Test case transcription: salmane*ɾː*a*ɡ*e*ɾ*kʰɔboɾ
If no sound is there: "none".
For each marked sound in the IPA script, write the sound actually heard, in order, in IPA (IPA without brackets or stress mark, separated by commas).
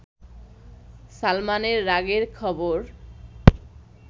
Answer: ɾː, ɡ, ɾ